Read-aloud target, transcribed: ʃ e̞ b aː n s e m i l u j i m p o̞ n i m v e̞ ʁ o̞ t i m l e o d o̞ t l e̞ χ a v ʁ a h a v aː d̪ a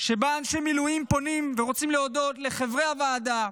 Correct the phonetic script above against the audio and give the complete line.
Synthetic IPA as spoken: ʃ e̞ b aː n ʃ e m i l u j i m p o̞ n i m v e̞ ʁ o̞ t͡s i m l e o d o̞ t l e̞ χ e v ʁ e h a v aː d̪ a